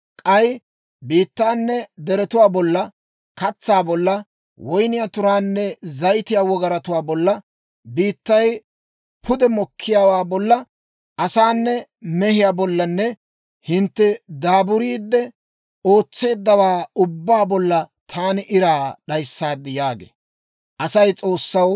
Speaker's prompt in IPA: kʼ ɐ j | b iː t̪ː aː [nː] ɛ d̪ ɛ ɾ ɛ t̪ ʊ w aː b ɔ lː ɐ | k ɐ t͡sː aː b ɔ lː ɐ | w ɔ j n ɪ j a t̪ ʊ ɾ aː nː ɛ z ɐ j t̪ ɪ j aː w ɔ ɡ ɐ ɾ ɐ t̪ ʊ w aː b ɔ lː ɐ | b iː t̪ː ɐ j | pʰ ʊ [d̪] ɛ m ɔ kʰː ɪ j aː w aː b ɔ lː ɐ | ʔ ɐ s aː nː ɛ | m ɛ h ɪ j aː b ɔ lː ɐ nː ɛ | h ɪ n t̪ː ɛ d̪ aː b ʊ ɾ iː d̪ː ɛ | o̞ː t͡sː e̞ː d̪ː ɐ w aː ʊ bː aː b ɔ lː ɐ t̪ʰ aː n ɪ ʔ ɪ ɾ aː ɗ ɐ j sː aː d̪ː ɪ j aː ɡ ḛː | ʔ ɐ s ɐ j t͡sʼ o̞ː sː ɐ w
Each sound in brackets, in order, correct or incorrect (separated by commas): correct, correct